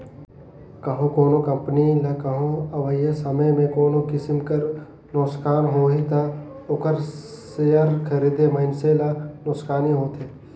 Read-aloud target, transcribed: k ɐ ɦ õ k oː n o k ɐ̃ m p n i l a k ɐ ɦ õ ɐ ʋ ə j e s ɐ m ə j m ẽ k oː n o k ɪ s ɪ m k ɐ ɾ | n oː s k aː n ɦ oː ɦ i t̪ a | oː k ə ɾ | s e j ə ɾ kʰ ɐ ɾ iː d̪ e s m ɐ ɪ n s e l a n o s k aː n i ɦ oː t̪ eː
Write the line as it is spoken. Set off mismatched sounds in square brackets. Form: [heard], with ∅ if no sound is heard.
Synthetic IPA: k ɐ ɦ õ k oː n o k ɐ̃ m p n i l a k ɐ ɦ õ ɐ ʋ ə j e s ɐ m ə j m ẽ k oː n o k ɪ s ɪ m k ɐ ɾ | n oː s k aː n ɦ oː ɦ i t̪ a | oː k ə ɾ | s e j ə ɾ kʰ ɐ ɾ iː d̪ e [∅] m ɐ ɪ n s e l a n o s k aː n i ɦ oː t̪ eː